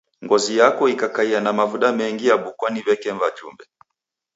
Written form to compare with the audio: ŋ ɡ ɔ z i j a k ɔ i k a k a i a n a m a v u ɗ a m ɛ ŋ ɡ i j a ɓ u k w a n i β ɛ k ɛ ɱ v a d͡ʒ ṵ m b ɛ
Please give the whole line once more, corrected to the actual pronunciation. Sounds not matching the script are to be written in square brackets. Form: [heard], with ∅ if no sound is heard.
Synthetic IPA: ŋ ɡ ɔ z i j a k ɔ i k a k a i a n a m a v u ɗ a m ɛ ŋ ɡ i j a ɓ u k w a n i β ɛ k ɛ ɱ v a d͡ʒ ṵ m b ɛ